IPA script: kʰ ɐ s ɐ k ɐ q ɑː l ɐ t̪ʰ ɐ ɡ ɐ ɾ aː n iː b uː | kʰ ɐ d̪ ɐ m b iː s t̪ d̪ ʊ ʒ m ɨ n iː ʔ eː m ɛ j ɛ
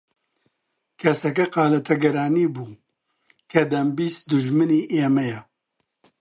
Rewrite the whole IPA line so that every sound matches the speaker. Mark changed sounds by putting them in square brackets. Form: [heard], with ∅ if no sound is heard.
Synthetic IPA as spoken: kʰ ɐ s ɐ k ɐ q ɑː l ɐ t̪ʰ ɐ ɡ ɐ ɾ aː n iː b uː | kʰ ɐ d̪ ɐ m b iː s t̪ d̪ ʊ ʒ m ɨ n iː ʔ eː m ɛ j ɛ